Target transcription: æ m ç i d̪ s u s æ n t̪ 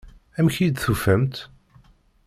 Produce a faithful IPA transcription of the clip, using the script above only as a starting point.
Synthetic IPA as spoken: æ m ç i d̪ θ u f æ m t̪